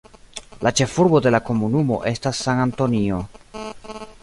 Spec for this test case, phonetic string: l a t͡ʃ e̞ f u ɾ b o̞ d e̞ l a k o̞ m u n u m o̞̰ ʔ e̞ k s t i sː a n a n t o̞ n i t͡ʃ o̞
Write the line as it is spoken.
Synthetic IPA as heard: l a t͡ʃ e̞ f u ɾ b o̞ d e̞ l a k o̞ m u n u m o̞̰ ʔ e̞ s t a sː a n a n t o̞ n i o̞